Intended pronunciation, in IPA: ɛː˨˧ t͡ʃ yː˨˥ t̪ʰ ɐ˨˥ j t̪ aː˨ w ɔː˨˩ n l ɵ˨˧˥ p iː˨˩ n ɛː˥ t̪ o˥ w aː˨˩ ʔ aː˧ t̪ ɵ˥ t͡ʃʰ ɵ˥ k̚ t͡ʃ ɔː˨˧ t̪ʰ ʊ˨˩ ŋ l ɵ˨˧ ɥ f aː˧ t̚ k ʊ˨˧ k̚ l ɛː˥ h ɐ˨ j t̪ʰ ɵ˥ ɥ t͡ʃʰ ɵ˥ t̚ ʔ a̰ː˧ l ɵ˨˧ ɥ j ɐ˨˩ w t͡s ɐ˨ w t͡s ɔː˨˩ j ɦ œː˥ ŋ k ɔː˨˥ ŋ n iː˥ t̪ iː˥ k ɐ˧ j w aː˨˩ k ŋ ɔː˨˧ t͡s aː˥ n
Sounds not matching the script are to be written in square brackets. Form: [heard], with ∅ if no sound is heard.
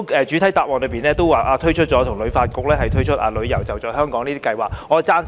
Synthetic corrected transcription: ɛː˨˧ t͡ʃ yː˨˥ t̪ʰ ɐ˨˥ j t̪ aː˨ w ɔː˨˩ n l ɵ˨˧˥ p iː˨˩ n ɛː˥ t̪ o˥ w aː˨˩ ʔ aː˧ [t̪ʰ] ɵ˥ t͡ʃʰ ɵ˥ [t̚] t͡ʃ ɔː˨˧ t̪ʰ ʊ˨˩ ŋ l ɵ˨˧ ɥ f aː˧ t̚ k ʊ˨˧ k̚ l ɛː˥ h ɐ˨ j t̪ʰ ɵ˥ ɥ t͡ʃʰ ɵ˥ t̚ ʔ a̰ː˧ l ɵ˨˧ ɥ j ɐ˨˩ w t͡s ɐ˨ w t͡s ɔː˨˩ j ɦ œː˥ ŋ k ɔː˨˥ ŋ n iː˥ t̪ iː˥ k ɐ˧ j w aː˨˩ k ŋ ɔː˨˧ t͡s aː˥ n